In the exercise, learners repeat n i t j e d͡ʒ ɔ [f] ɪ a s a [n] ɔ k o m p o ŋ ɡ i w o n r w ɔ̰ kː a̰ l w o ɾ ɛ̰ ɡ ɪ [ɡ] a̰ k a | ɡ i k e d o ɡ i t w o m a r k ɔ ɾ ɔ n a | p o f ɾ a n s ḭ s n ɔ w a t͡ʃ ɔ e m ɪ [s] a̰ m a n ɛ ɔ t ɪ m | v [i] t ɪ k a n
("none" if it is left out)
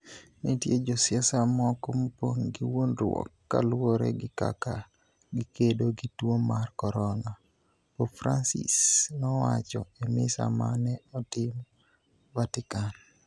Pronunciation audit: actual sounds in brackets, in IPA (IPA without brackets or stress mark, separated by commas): s, m, k, s, a